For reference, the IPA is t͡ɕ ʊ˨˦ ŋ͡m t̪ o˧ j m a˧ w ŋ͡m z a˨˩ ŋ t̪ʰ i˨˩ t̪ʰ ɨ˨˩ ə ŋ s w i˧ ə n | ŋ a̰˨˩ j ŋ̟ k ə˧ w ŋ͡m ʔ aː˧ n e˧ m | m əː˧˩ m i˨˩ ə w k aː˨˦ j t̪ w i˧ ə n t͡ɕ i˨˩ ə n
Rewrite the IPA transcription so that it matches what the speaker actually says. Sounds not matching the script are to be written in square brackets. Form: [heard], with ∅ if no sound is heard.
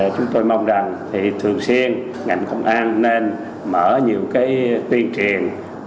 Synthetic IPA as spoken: t͡ɕ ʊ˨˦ ŋ͡m t̪ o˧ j m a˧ w ŋ͡m z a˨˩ ŋ t̪ʰ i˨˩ t̪ʰ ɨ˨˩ ə ŋ s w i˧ ə n | ŋ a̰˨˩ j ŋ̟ k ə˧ w ŋ͡m ʔ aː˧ [nː] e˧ [n] | m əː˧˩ [ɲ] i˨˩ ə w k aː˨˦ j t̪ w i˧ ə n t͡ɕ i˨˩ ə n